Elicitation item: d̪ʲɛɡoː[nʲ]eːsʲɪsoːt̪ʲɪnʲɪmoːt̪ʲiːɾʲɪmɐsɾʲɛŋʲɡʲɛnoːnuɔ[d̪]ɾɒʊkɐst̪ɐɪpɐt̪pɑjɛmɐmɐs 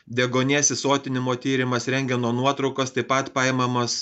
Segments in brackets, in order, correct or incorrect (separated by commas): correct, incorrect